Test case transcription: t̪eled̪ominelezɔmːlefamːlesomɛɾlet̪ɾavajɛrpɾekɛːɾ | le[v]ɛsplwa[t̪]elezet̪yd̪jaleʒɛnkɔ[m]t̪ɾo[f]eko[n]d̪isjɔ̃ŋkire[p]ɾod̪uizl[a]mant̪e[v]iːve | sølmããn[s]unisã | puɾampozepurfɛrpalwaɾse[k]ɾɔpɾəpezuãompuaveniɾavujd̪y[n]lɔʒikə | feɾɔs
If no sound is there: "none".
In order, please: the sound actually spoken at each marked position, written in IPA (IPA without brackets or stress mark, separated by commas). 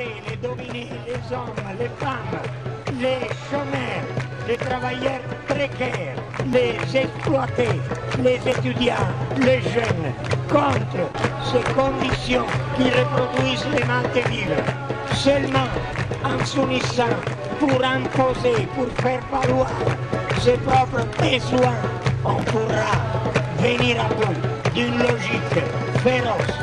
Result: z, t̪, n, s, n, p, e, v, s, p, n